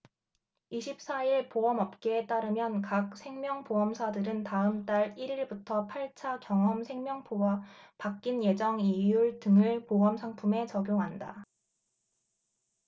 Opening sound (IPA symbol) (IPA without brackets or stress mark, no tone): i